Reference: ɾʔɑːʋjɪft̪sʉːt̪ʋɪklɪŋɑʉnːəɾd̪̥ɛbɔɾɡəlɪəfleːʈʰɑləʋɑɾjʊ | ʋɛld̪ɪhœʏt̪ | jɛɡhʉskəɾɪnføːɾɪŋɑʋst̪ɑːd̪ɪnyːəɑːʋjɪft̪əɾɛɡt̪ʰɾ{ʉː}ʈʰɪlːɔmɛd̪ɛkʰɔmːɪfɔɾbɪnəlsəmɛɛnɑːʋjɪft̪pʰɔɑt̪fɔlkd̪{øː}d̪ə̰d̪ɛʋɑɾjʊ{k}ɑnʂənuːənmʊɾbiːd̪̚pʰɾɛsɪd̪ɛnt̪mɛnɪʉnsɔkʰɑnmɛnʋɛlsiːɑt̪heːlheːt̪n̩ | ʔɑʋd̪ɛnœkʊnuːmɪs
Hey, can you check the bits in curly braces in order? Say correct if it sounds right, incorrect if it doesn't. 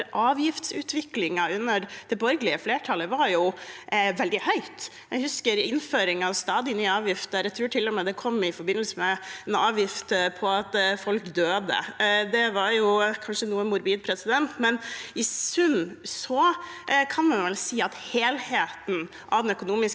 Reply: correct, correct, incorrect

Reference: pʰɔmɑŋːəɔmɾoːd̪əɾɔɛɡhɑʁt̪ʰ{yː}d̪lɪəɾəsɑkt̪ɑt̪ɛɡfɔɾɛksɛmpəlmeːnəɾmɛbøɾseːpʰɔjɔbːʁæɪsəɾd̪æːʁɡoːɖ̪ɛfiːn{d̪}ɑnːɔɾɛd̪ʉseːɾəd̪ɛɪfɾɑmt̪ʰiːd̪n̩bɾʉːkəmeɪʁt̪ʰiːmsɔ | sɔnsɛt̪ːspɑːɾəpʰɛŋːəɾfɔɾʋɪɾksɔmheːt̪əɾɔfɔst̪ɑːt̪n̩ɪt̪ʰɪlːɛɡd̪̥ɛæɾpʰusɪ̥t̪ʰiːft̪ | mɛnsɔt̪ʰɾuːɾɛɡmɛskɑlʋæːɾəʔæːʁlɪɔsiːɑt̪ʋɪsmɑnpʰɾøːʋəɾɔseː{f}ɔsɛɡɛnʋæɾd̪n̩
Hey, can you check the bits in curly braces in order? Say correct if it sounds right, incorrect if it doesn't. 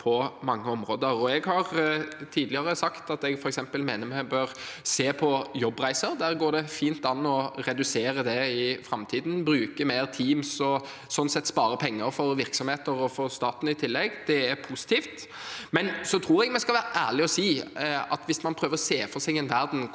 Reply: incorrect, incorrect, correct

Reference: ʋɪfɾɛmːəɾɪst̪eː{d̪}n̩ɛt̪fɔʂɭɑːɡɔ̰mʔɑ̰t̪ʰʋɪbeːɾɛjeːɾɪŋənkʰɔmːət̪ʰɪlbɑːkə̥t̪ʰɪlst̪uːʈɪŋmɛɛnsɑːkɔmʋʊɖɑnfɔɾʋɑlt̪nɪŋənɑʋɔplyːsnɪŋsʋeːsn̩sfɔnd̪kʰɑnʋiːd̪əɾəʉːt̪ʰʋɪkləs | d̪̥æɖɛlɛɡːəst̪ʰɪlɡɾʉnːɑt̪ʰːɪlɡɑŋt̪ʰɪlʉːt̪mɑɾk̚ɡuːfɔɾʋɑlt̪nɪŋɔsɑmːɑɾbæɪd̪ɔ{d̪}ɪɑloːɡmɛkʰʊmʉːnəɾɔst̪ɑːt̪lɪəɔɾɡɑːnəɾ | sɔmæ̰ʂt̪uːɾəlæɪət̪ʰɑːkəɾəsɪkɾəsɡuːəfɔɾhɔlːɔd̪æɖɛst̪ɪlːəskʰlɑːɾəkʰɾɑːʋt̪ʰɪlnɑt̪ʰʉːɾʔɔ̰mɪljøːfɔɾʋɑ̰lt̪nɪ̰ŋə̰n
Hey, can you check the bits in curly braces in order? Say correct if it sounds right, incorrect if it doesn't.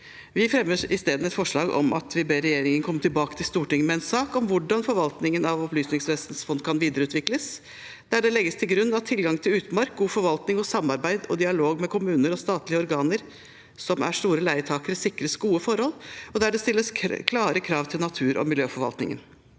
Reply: correct, correct

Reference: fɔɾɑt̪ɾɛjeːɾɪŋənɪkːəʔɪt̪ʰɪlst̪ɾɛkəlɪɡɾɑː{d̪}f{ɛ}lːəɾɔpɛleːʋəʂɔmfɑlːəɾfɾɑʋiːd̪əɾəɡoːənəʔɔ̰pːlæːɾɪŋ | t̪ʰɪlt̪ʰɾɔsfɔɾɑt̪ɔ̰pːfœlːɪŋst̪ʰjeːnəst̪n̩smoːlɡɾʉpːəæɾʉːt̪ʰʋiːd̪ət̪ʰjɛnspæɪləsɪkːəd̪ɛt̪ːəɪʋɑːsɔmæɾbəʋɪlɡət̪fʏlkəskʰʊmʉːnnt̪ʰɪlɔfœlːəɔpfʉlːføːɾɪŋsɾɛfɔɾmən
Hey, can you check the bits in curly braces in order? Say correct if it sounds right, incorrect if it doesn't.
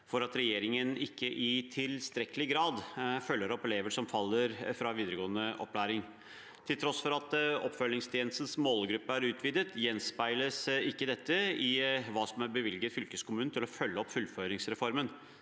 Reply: correct, incorrect

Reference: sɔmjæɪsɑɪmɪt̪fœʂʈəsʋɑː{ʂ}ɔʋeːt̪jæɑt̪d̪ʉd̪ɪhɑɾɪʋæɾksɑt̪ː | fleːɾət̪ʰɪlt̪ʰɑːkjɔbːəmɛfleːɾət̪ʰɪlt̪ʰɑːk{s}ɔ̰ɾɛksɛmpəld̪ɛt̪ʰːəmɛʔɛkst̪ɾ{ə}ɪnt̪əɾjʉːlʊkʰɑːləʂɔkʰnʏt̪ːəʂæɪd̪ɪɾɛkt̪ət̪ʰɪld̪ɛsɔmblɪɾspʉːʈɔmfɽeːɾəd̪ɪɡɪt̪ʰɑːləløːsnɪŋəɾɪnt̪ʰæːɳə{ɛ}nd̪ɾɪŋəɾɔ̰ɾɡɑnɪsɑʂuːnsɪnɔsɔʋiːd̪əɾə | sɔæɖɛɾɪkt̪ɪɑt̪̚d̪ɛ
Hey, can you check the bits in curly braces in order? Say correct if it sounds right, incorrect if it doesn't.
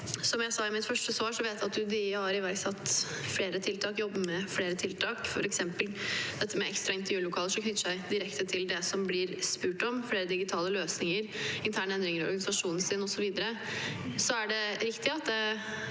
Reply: correct, incorrect, incorrect, correct

